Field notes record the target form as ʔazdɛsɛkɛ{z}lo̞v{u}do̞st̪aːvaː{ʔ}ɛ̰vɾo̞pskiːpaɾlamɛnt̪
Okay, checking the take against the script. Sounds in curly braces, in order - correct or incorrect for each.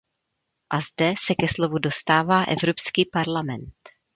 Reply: incorrect: s, correct, correct

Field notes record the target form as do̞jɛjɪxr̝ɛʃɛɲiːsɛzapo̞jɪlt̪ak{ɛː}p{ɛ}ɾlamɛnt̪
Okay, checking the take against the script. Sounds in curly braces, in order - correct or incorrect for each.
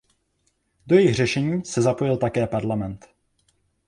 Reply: correct, incorrect: a

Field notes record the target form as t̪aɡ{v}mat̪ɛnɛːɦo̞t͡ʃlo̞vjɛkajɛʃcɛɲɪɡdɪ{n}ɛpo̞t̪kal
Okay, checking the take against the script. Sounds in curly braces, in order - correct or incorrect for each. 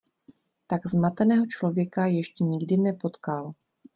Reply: incorrect: z, correct

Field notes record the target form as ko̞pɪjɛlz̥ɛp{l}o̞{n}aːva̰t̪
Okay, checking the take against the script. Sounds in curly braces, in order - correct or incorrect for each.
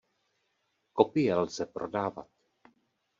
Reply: incorrect: ɾ, incorrect: d

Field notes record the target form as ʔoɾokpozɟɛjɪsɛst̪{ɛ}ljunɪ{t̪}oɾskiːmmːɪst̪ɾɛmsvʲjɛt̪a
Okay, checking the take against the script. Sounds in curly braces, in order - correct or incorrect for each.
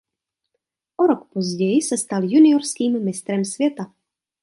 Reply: incorrect: a, incorrect: none

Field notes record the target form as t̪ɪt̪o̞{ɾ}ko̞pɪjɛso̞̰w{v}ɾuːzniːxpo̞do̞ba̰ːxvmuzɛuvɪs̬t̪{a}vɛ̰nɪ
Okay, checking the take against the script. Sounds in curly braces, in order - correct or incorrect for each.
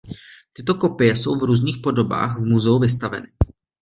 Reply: incorrect: none, correct, correct

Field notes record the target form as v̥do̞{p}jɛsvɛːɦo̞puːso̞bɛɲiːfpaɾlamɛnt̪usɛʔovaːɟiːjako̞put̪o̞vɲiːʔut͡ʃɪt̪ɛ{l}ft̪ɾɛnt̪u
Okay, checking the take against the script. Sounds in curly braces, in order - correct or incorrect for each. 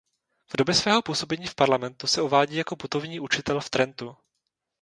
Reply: incorrect: b, correct

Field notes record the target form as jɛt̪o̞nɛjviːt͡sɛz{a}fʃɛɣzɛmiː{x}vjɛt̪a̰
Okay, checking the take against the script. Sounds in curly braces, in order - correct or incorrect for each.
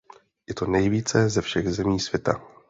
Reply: incorrect: ɛ, incorrect: s

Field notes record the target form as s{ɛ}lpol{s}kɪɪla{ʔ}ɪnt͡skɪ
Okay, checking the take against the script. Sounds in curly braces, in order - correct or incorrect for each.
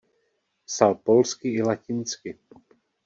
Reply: incorrect: a, correct, incorrect: c

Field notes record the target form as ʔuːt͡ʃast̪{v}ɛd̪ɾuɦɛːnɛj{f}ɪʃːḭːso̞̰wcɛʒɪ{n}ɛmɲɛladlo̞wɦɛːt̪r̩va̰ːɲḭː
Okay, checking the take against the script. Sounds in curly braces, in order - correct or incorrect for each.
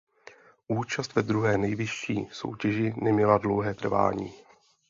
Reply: correct, incorrect: v, correct

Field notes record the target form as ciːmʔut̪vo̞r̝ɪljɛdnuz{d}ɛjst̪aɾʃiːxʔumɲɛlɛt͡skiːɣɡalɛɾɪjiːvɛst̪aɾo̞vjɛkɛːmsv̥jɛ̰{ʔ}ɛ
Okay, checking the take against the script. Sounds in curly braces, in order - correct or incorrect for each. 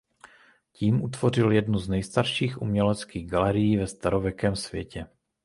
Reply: incorrect: n, incorrect: c

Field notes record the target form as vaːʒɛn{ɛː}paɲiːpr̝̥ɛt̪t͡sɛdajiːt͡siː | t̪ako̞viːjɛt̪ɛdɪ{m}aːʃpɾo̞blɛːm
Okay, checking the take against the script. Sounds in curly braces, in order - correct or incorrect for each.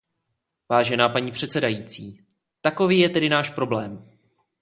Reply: incorrect: aː, incorrect: n

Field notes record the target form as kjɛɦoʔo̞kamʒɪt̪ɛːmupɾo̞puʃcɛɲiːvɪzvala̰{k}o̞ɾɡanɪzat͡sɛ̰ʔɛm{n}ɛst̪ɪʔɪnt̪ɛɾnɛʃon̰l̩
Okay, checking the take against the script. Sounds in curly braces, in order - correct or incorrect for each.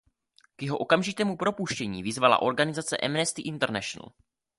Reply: incorrect: ʔ, correct

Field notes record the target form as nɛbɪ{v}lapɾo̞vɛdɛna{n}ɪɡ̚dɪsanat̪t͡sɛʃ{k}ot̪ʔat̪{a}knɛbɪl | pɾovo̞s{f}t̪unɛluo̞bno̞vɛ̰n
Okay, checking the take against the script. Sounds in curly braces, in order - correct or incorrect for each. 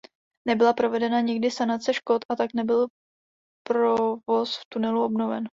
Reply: incorrect: none, incorrect: ɲ, correct, correct, correct

